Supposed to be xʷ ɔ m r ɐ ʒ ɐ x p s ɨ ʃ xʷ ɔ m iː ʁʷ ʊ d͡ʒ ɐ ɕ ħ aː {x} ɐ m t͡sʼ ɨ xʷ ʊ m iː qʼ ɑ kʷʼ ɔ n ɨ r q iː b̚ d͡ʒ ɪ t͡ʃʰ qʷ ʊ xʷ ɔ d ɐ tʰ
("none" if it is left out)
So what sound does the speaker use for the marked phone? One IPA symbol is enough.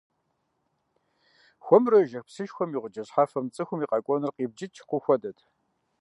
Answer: f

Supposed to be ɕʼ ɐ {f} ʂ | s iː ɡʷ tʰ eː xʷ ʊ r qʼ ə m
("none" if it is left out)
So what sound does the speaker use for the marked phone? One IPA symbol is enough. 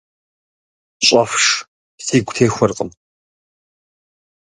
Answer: f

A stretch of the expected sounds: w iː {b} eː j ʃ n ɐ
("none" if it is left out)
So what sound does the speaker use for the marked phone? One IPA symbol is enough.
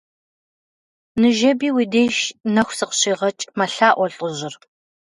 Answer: d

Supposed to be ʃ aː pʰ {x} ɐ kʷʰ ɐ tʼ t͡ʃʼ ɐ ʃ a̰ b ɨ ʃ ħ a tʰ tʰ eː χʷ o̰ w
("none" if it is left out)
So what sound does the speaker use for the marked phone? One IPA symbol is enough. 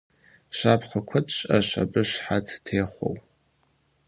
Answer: χ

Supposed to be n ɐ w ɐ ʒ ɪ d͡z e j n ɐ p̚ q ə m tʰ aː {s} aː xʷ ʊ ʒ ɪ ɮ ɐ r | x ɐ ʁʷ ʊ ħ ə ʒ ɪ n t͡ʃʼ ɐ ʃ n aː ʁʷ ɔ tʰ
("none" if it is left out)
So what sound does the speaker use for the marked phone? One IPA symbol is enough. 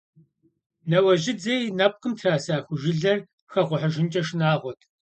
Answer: s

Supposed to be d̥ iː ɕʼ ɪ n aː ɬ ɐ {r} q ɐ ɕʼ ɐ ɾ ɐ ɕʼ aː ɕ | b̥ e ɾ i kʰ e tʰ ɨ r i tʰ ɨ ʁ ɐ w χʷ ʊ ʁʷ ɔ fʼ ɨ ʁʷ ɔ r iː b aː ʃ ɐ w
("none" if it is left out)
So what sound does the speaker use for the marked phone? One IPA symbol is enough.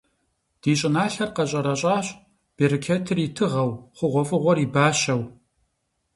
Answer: r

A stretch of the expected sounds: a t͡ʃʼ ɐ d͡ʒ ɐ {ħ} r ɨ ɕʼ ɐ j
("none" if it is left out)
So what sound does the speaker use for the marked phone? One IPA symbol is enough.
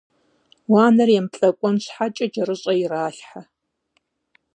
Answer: none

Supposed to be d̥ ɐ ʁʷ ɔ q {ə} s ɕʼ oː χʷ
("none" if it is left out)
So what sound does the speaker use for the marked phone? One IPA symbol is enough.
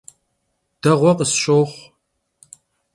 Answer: ə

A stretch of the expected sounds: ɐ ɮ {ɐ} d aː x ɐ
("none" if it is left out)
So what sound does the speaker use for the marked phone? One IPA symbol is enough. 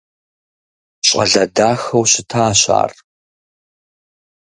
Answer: ɐ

